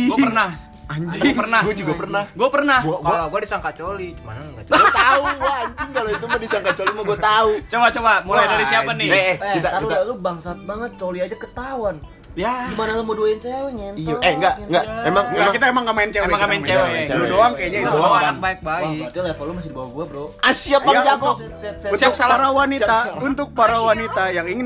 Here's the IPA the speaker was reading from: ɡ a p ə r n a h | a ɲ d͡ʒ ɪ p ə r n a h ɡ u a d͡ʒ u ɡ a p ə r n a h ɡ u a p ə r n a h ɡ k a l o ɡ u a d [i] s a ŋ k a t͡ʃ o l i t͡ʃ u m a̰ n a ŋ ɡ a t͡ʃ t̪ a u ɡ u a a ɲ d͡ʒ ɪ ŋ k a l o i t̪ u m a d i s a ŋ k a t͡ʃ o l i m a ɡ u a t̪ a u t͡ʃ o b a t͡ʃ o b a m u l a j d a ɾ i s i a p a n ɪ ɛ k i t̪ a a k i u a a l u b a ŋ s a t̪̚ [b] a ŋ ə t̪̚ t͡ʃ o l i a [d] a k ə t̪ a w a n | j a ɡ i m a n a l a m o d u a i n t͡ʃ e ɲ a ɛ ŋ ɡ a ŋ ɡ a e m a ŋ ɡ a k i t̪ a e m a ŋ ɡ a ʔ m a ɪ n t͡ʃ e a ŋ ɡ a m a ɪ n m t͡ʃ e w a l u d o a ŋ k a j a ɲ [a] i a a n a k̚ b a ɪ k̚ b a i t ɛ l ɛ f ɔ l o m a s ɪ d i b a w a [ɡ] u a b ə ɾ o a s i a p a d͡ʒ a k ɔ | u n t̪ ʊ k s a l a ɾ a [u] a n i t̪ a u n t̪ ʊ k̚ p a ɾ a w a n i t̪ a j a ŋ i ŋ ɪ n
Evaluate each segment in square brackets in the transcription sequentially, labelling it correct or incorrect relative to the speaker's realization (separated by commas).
correct, correct, incorrect, correct, correct, incorrect